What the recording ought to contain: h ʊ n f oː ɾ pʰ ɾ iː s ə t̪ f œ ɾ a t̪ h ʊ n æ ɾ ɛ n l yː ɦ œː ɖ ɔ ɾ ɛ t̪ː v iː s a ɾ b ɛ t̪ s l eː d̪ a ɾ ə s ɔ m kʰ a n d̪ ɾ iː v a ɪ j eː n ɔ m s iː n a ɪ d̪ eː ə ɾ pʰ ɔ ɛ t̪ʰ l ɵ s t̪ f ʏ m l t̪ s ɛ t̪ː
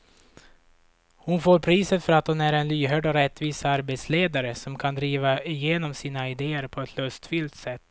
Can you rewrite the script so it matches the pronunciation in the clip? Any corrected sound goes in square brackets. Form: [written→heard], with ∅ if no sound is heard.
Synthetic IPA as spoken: h ʊ n f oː ɾ pʰ ɾ iː s ə t̪ f œ ɾ a t̪ h ʊ n æ ɾ ɛ n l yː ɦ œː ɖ ɔ ɾ ɛ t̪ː v iː s a ɾ b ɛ t̪ s l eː d̪ a ɾ ə s ɔ m kʰ a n d̪ ɾ iː v a ɪ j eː n ɔ m s iː n a ɪ d̪ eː ə ɾ pʰ ɔ ɛ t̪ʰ l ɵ s t̪ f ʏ [m→∅] l t̪ s ɛ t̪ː